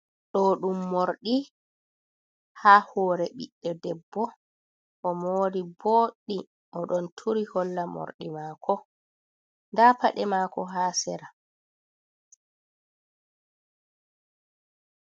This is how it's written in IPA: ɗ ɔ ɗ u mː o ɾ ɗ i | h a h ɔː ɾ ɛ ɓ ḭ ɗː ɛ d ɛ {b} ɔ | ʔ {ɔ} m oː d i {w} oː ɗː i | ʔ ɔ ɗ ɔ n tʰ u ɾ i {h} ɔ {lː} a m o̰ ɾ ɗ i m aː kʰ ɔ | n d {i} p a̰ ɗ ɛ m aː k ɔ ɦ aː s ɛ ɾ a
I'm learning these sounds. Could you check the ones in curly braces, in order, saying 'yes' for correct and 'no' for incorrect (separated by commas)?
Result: no, yes, no, yes, yes, no